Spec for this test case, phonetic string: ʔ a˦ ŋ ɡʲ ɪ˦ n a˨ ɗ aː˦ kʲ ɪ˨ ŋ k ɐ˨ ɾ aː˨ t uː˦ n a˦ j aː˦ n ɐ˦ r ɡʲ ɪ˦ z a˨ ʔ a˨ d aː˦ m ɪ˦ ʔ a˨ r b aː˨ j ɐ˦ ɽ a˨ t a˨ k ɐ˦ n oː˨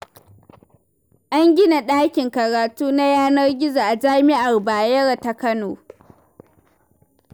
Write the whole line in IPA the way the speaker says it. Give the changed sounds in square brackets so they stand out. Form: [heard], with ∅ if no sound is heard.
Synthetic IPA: ʔ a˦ ŋ ɡʲ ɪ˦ n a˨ ɗ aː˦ kʲ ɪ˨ ŋ k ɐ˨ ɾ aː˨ t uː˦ n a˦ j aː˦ n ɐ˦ r ɡʲ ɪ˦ z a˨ ʔ a˨ [d͡ʒ] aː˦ m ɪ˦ ʔ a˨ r b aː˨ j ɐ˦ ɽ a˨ t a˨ k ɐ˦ n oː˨

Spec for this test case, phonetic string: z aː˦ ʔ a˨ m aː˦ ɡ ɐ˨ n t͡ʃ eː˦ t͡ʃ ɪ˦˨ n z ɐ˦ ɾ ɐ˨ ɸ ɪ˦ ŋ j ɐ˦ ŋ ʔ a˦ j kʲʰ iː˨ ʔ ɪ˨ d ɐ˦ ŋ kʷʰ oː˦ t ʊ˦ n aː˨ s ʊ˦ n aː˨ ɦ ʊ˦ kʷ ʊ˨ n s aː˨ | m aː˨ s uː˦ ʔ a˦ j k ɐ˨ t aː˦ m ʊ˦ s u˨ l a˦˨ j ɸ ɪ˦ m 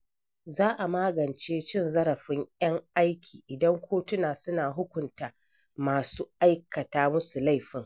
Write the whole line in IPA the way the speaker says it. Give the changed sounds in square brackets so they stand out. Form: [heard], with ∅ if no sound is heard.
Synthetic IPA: z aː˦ ʔ a˨ m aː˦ ɡ ɐ˨ n t͡ʃ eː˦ t͡ʃ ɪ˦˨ n z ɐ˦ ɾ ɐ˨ ɸ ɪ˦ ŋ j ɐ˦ ŋ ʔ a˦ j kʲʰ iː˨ ʔ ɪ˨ d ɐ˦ ŋ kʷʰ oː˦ t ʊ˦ n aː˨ s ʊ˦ n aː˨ ɦ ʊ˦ kʷ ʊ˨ n [t] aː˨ | m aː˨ s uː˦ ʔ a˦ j k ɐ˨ t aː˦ m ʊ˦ s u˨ l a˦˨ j ɸ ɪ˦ [ŋ]

